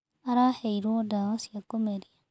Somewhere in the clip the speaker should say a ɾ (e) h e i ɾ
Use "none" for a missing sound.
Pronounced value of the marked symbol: a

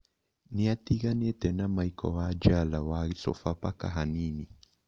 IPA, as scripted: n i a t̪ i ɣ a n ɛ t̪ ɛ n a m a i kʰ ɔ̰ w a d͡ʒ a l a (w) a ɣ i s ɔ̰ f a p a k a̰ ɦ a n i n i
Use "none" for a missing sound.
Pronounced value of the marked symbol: w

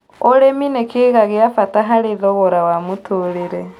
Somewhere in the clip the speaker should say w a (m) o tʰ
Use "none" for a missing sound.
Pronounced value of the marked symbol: m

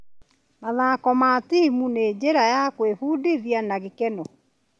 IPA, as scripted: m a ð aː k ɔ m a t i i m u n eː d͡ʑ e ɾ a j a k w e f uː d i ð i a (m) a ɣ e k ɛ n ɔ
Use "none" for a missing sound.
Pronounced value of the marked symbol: n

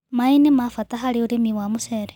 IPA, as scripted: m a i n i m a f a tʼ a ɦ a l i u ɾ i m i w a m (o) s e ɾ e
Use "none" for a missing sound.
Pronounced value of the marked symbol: u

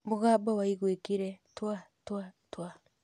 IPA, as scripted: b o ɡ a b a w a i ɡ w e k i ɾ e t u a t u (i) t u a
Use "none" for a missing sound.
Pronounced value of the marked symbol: a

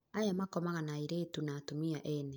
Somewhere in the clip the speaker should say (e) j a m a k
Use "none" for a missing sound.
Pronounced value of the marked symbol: a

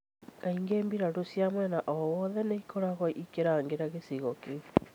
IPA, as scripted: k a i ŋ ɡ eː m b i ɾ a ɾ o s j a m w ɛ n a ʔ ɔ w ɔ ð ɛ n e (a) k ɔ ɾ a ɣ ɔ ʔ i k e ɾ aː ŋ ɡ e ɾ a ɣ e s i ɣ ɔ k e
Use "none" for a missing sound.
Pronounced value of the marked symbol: i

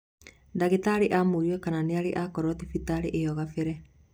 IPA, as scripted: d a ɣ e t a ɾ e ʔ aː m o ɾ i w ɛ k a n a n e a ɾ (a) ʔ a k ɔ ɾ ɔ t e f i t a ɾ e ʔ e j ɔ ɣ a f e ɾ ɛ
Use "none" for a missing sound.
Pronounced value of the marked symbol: e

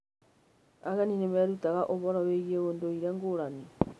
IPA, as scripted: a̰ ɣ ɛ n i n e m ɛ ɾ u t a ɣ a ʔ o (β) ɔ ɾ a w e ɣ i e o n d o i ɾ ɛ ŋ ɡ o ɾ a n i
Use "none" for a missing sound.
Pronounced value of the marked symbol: β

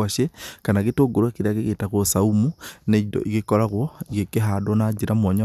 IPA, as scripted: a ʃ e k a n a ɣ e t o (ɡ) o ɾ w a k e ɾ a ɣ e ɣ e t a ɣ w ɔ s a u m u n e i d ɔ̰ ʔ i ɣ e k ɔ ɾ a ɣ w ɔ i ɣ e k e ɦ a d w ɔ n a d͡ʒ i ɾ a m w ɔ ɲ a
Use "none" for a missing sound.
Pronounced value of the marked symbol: ɡ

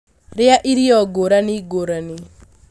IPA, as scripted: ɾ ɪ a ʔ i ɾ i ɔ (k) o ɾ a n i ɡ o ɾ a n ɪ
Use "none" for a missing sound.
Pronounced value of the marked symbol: ɡ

